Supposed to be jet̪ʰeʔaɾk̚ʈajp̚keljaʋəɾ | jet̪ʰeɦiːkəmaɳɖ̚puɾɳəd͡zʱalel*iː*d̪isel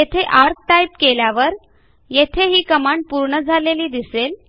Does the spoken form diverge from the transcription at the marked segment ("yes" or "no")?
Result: no